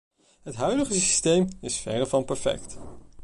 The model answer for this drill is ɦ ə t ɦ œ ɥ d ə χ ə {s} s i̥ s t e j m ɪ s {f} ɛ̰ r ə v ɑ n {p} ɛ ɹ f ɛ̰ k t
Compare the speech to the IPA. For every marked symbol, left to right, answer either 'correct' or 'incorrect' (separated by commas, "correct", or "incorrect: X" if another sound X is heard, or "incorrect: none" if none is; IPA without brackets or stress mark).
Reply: correct, correct, correct